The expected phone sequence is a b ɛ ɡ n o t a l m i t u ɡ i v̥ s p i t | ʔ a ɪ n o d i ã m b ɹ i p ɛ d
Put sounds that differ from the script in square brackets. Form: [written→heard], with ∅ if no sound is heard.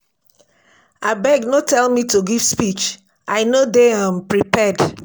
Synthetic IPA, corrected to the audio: a b ɛ ɡ n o t [a→ɛ] l m i t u ɡ i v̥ s p i [t→t͡ʃ] | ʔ a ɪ n o d [i→e] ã m [b→p] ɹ i p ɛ d